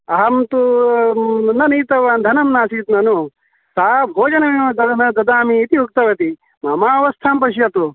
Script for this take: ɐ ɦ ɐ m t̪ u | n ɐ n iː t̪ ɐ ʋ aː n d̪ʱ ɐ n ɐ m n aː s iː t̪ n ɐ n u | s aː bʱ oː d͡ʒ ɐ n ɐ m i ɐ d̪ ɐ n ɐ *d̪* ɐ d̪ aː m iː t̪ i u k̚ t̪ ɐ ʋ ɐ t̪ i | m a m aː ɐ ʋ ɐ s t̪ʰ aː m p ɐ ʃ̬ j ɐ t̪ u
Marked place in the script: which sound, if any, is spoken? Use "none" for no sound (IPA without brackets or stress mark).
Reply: d̪